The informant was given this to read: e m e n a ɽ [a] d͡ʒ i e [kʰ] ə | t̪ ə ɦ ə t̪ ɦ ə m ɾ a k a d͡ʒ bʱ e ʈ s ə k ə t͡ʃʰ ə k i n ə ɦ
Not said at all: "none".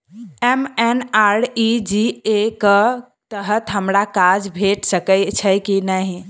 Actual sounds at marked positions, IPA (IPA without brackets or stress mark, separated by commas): i, k